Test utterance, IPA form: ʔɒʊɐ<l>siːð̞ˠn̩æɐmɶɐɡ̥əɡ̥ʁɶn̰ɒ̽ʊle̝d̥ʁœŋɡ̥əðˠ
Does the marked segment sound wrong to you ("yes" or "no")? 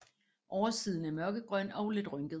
yes